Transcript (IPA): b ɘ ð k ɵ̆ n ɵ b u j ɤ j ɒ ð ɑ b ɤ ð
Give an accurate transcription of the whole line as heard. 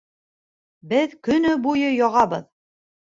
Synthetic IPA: b ɘ ð k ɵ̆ n ɵ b u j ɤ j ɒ ʁ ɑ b ɤ ð